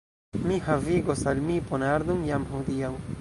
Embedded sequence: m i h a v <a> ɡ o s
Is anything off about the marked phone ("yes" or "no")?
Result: yes